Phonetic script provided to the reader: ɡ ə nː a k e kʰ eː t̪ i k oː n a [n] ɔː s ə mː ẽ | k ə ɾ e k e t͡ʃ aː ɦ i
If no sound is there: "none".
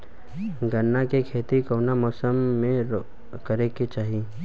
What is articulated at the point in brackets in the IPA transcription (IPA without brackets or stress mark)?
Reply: m